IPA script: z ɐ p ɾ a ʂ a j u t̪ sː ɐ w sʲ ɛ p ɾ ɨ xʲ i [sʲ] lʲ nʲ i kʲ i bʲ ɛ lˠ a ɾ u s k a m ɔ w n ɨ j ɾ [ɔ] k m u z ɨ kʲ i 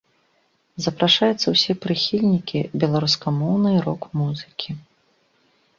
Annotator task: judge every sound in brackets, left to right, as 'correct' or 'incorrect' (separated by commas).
incorrect, correct